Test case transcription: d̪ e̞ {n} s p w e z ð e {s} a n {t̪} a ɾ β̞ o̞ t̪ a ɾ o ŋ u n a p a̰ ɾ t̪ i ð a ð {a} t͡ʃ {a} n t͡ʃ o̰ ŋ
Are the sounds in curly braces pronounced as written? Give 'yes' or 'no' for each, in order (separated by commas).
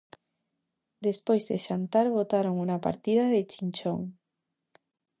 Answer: no, no, yes, no, no